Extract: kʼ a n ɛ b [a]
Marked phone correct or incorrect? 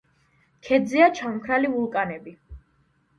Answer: incorrect